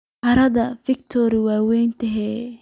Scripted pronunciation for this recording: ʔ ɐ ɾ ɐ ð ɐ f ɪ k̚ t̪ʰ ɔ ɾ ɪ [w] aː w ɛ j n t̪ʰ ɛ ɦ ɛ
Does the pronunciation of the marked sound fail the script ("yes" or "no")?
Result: no